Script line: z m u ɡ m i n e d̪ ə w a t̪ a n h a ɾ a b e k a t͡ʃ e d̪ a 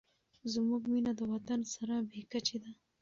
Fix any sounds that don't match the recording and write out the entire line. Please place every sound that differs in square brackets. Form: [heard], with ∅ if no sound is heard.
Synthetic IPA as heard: z m u ɡ m i n [a] d̪ ə w a t̪ a n [s] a ɾ a b e k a t͡ʃ e d̪ a